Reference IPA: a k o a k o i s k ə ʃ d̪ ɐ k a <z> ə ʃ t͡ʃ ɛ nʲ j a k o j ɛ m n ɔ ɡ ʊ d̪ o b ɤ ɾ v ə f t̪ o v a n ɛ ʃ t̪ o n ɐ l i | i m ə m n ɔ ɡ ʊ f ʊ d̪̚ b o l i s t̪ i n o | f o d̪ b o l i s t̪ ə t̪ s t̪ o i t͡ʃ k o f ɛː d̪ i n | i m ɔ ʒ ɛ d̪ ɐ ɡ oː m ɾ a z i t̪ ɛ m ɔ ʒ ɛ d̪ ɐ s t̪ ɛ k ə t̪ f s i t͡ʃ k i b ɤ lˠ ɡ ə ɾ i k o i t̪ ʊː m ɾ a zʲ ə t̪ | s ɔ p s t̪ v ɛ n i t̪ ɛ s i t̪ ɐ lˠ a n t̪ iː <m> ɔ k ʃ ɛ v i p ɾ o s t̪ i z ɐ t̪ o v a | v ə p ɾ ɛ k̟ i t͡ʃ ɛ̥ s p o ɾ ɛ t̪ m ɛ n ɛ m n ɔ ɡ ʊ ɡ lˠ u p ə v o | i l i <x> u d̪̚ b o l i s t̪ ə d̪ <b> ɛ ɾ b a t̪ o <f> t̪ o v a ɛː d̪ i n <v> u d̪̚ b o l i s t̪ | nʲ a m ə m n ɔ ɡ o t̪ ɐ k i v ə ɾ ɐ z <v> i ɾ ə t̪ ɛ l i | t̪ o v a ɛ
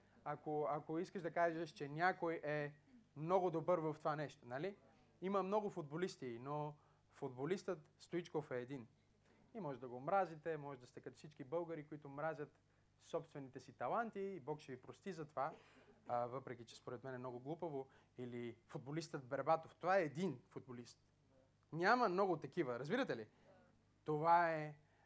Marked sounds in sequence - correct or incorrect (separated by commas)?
incorrect, incorrect, incorrect, correct, correct, incorrect, incorrect